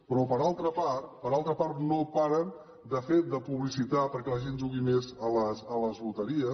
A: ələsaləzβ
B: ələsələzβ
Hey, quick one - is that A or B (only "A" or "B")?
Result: B